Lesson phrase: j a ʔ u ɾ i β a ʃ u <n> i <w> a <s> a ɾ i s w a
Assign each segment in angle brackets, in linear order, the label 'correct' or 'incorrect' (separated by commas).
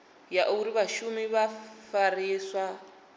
incorrect, incorrect, incorrect